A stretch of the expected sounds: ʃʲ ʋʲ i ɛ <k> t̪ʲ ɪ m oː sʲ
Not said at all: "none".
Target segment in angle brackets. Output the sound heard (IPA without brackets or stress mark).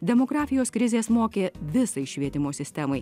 none